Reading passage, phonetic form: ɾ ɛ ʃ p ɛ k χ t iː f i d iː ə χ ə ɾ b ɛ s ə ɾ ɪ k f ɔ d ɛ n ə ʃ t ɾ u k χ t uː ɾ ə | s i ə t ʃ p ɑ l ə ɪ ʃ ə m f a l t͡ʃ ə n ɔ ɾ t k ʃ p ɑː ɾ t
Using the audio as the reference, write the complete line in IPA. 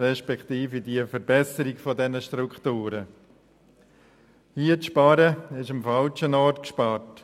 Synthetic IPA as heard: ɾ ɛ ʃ p ɛ k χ t iː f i d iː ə f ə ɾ b ɛ s ə ɾ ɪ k f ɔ d ɛ n ə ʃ t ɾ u k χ t uː ɾ ə | h i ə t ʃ p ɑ ɾ ə ɪ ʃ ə m f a l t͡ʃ ə n ɔ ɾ t k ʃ p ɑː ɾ t